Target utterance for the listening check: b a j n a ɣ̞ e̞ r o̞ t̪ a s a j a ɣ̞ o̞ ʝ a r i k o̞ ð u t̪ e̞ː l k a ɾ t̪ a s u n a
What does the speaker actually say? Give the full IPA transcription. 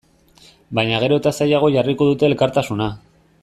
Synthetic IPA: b a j ɲ a ɣ̞ e̞ ɾ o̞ t̪ a s a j a ɣ̞ o̞ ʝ a r i k o̞ ð u t̪ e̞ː l k a ɾ t̪ a s u n a